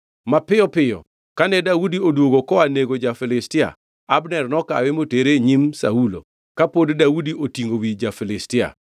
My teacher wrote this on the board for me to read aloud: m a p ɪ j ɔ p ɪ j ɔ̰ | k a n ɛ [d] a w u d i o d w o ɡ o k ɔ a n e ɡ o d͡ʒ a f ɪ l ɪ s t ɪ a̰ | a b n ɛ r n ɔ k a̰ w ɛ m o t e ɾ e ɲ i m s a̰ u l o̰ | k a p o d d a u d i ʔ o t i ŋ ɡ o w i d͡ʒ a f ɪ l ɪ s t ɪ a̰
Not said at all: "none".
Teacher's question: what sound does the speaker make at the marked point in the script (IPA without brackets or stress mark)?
d